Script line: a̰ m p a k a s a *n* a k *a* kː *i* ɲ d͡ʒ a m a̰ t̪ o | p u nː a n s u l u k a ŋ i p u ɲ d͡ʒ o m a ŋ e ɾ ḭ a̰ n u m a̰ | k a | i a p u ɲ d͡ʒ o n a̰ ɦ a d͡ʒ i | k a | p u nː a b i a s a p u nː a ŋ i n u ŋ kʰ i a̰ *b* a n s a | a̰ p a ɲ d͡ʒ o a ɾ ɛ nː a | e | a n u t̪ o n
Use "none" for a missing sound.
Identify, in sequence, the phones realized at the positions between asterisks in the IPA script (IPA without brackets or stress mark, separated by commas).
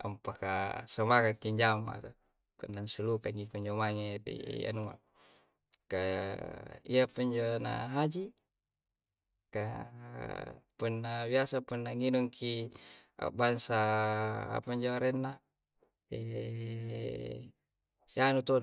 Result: m, a, i, b